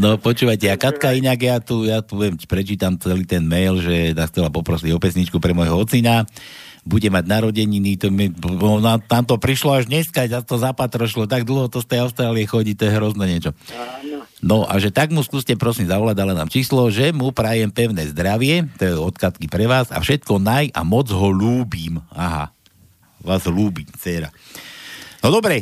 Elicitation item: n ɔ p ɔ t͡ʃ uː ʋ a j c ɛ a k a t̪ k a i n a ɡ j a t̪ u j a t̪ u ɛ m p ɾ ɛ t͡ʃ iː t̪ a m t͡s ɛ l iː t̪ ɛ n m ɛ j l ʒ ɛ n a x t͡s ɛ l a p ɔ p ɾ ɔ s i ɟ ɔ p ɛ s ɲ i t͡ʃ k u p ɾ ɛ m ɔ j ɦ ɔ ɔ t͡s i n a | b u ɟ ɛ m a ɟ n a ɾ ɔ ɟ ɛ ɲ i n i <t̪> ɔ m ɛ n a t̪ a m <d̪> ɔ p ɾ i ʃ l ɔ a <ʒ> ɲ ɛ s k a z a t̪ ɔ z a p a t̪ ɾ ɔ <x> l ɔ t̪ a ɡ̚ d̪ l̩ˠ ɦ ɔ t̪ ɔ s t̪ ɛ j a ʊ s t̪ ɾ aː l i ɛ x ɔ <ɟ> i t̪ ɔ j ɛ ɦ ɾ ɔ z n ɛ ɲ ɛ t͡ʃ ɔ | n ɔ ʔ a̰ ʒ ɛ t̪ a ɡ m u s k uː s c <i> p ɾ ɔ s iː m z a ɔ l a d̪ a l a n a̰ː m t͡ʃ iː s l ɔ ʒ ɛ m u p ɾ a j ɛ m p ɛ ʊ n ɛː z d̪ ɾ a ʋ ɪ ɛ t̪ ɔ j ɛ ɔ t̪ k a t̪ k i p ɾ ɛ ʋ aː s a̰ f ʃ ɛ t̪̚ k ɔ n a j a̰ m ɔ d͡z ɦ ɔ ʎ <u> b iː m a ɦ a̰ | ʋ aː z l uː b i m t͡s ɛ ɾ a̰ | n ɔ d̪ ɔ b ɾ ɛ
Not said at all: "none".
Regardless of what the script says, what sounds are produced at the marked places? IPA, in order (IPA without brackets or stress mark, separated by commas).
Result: t̪, t̪, ʒ, ʃ, ɟ, ɛ, uː